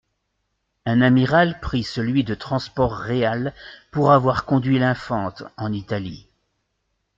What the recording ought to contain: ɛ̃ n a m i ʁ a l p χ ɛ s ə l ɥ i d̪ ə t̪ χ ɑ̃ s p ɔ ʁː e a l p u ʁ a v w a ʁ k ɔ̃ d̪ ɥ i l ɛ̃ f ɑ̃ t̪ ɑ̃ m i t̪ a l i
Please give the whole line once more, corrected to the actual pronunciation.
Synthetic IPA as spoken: ɛ̃ n a m i ʁ a l p χ i s ə l ɥ i d̪ ə t̪ χ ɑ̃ s p ɔ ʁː e a l p u ʁ a v w a ʁ k ɔ̃ d̪ ɥ i l ɛ̃ f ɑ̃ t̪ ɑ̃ n i t̪ a l i